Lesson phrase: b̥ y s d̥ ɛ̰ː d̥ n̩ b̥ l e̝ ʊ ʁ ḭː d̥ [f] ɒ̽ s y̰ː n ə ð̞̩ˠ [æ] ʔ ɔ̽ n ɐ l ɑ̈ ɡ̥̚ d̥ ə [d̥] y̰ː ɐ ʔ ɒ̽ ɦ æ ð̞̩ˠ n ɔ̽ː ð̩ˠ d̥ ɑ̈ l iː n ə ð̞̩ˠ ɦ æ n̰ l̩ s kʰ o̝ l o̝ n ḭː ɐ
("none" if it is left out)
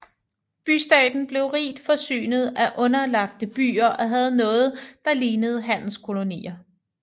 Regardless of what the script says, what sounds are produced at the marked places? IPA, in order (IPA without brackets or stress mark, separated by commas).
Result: f, æ, b̥